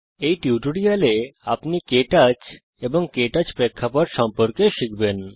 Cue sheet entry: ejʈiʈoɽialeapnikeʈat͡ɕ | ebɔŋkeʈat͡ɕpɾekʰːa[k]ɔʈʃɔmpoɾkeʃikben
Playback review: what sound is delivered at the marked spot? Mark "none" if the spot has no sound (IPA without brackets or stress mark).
p